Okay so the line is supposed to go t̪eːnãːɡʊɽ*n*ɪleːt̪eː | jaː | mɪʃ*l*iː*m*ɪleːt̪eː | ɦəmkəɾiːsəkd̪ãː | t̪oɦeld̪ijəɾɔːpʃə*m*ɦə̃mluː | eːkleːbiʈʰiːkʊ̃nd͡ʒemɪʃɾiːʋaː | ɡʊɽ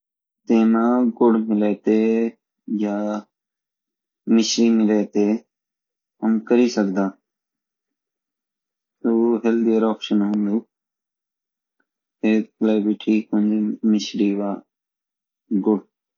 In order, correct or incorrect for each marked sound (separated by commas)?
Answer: incorrect, incorrect, correct, incorrect